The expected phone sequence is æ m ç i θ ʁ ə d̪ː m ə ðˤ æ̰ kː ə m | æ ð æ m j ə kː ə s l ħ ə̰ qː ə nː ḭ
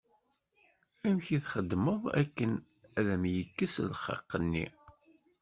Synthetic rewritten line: æ m ç i θ χ ə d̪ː m ə ðˤ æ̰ kː ə n | æ ð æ m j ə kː ə s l χ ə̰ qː ə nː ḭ

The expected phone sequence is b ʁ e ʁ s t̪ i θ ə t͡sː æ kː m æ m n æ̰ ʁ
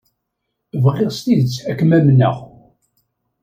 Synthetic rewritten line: v ʁ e ʁ s t̪ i ð ə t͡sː æ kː m æ m n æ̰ ʁ

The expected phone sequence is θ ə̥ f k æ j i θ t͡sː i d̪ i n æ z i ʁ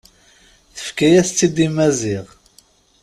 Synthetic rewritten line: θ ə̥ f k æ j æ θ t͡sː i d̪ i m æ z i ʁ

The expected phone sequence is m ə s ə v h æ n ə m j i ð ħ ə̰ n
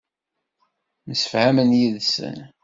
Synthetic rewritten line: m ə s ə f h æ m ə n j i ð s ə̰ n

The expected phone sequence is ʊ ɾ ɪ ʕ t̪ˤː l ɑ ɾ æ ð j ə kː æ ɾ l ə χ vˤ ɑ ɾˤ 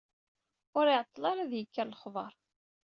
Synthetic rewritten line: ʊ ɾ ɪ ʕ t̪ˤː l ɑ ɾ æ ð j ə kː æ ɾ l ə χ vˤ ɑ ɾˤ

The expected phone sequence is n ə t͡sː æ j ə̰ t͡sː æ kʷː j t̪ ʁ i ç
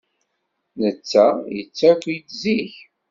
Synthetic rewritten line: n ə t͡sː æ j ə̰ t͡sː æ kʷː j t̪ z i ç

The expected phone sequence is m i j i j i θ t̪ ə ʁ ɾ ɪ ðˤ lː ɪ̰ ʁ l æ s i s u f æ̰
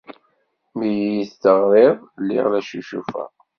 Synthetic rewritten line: m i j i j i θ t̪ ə ʁ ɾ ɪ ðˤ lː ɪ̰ ʁ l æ ʃ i ʃ u f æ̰

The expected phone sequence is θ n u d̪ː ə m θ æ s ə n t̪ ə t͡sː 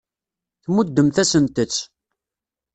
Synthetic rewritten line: θ m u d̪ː ə m θ æ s ə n t̪ ə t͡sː

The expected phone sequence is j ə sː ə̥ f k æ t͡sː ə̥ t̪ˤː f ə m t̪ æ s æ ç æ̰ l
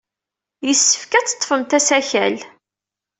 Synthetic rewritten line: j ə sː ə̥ f k æ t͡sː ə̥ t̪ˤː f ə m t̪ æ s æ ç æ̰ l

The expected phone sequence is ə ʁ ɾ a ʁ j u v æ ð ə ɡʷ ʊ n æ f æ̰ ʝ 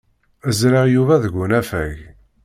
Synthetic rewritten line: ə z ɾ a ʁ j u v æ ð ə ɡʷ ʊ n æ f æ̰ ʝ

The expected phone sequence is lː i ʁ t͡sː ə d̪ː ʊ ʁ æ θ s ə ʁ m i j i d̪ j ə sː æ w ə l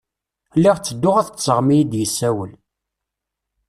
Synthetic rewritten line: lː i ʁ t͡sː ə d̪ː ʊ ʁ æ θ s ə ʁ m i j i d̪ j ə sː æ w ə l

